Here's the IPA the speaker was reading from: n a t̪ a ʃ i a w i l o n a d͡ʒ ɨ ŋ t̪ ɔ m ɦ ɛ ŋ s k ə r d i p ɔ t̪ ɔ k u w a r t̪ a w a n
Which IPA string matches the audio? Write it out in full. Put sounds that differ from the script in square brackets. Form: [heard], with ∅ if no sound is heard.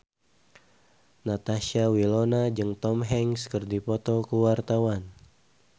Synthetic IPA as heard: n a t̪ a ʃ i a w i l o n a d͡ʒ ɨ ŋ t̪ ɔ m ɦ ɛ ŋ s k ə r d i p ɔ t̪ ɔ k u w a r t̪ a w a n

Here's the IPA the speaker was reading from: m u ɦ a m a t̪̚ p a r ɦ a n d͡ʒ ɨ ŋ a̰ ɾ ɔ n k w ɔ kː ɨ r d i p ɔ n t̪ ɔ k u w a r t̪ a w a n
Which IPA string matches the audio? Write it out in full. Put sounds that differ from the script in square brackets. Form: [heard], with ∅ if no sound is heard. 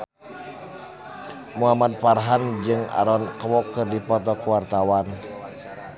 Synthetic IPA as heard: m u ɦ a m a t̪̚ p a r ɦ a n d͡ʒ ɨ ŋ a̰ ɾ ɔ n k w ɔ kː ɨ r d i p ɔ [∅] t̪ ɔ k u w a r t̪ a w a n

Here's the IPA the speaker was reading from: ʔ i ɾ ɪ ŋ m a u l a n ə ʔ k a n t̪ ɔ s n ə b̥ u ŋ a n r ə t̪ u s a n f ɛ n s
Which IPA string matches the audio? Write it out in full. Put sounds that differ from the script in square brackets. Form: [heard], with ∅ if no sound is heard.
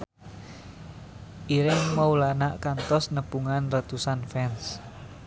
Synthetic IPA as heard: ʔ i ɾ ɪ ŋ m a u l a n [a] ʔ k a n t̪ ɔ s n ə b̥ u ŋ a n r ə t̪ u s a n f ɛ n s

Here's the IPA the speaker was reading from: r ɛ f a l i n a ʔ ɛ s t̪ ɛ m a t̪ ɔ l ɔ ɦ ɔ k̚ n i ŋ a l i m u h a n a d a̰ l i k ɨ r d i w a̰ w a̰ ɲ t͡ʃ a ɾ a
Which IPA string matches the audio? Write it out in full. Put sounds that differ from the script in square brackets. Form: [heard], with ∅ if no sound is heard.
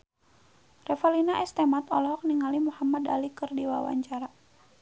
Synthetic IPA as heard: r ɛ f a l i n a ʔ ɛ s t̪ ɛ m a t̪ ɔ l ɔ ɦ ɔ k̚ n i ŋ a l i m u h a [m] a d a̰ l i k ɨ r d i w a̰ w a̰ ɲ t͡ʃ a ɾ a

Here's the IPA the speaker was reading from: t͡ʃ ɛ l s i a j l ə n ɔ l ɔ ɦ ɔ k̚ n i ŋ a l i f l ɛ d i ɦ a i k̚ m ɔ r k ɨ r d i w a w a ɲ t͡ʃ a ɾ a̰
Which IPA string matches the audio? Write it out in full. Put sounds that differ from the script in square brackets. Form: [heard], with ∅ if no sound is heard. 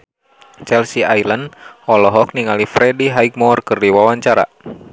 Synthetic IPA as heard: t͡ʃ ɛ l s i a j l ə n ɔ l ɔ ɦ ɔ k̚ n i ŋ a l i f [ɾ] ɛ d i ɦ a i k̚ m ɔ r k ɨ r d i w a w a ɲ t͡ʃ a ɾ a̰

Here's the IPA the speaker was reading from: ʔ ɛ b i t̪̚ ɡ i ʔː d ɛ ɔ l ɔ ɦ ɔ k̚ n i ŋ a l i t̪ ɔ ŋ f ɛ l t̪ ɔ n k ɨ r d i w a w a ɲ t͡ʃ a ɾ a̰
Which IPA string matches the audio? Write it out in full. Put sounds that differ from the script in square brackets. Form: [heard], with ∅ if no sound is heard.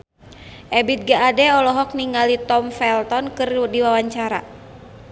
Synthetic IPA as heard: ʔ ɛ b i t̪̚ ɡ [a] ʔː d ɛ ɔ l ɔ ɦ ɔ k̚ n i ŋ a l i t̪ ɔ [m] f ɛ l t̪ ɔ n k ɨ r d i w a w a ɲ t͡ʃ a ɾ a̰

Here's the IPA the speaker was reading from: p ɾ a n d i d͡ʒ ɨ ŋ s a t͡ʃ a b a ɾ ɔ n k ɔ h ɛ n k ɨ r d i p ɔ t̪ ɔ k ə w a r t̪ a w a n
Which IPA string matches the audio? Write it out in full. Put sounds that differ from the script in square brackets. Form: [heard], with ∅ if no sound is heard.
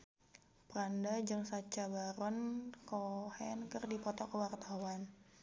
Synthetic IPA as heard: p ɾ a n d [a] d͡ʒ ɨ ŋ s a t͡ʃ a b a ɾ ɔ n k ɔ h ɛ n k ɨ r d i p ɔ t̪ ɔ k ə w a r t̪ a w a n

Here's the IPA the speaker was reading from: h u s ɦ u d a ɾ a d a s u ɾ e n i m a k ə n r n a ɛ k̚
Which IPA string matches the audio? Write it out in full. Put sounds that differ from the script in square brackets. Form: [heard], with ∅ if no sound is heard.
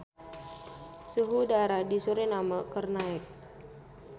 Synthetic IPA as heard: [s] u [∅] ɦ u d a ɾ a d [i] s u ɾ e n [a] m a k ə [∅] r n a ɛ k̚

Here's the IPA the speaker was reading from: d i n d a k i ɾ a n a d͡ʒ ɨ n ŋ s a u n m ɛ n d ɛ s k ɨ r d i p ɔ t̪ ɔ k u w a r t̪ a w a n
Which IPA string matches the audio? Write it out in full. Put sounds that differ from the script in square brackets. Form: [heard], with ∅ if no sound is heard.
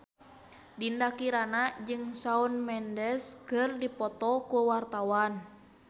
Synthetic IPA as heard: d i n d a k i ɾ a n a d͡ʒ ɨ [∅] ŋ s a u n m ɛ n d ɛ s k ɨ r d i p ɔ t̪ ɔ k u w a r t̪ a w a n

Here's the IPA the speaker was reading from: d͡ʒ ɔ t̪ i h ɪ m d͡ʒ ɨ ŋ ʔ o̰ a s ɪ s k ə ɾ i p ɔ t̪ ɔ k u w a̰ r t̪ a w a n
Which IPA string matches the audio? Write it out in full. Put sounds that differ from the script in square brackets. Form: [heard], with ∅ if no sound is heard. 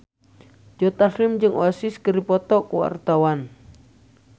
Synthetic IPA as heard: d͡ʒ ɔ t̪ [a] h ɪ m d͡ʒ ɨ ŋ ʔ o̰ a s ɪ s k ə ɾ i p ɔ t̪ ɔ k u w a̰ r t̪ a w a n

